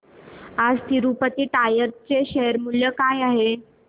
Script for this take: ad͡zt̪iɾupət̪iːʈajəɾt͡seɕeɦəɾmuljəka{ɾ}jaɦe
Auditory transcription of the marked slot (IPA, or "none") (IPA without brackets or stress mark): none